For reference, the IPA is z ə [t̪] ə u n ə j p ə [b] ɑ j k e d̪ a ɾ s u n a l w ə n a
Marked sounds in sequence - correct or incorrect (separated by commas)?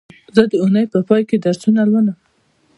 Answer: incorrect, incorrect